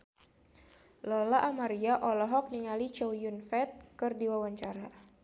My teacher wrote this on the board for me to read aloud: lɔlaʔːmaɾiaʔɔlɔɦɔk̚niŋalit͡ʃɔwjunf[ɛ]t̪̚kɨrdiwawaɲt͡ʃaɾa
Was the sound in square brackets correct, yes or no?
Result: yes